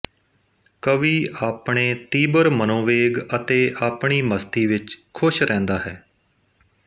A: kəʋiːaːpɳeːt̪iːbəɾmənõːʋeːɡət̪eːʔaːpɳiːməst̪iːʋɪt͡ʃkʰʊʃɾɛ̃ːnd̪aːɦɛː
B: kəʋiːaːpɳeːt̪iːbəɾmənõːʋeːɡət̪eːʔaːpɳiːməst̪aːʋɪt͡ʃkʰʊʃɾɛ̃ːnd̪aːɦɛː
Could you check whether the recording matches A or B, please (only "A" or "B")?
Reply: A